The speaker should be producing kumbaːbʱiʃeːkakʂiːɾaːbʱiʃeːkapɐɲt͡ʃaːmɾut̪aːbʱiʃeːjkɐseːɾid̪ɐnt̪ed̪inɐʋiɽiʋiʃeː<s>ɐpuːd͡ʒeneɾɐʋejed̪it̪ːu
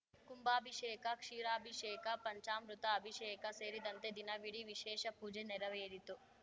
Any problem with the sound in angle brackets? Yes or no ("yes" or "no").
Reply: yes